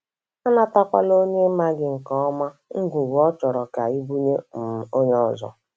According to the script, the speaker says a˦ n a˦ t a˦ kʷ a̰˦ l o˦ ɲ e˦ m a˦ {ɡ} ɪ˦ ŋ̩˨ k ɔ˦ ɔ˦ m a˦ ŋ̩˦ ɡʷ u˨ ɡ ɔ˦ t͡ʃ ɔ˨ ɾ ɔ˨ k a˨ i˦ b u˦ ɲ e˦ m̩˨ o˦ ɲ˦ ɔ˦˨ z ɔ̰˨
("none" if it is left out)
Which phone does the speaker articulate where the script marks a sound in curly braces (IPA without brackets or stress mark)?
ɡ